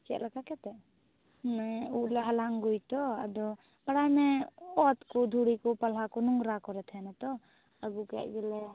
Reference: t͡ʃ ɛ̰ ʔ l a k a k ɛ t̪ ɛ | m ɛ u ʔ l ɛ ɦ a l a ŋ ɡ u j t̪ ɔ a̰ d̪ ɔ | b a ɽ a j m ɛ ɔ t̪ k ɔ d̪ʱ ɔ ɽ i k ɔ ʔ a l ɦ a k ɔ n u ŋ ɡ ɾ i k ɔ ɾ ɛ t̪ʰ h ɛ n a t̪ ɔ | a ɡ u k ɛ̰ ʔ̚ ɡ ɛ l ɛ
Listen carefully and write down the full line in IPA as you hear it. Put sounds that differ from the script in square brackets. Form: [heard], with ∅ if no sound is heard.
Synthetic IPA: t͡ʃ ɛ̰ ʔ l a k a k ɛ t̪ ɛ | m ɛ u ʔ l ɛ ɦ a l a ŋ ɡ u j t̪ ɔ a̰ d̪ ɔ | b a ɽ a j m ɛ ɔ t̪ k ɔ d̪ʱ [u] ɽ i k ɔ [p] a l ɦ a k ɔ n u ŋ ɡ ɾ [a] k ɔ ɾ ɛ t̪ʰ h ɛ n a t̪ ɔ | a ɡ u k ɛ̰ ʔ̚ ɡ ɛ l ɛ